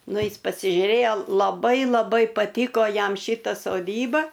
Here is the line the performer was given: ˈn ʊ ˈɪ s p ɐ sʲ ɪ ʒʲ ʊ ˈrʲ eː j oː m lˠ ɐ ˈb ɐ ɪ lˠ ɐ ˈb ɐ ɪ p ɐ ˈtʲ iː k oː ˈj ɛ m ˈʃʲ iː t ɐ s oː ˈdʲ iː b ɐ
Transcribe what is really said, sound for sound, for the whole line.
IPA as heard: ˈn ʊ ˈɪ s p ɐ sʲ ɪ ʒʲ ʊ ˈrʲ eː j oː lˠ ɐ ˈb ɐ ɪ lˠ ɐ ˈb ɐ ɪ p ɐ ˈtʲ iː k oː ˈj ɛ m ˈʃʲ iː t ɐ s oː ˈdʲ iː b ɐ